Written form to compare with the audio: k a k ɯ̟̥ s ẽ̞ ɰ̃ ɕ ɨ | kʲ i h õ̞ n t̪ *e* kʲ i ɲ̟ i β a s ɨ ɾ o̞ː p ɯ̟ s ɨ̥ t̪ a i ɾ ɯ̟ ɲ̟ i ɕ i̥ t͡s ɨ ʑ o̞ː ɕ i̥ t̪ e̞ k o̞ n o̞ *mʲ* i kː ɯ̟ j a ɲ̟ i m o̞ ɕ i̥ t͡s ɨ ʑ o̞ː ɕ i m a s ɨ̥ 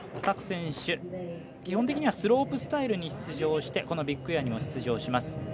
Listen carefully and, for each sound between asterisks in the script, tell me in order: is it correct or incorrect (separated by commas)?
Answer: correct, incorrect